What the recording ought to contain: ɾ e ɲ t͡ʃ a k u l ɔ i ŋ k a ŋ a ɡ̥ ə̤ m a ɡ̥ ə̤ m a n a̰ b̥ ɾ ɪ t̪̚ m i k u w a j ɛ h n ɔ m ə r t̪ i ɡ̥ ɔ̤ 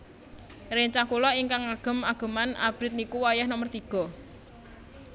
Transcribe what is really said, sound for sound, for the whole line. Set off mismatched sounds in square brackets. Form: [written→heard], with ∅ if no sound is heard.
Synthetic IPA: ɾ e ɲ t͡ʃ a k u l ɔ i ŋ k a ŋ a ɡ̥ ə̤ m a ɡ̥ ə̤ m a n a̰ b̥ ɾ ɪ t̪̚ [m→n] i k u w a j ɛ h n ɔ m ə r t̪ i ɡ̥ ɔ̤